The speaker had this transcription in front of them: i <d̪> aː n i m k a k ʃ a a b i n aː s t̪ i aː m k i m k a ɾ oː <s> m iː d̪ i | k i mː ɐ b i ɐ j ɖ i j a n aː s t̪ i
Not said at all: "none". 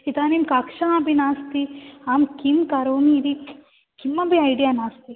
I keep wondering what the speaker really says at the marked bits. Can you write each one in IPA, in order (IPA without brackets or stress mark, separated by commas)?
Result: t̪, none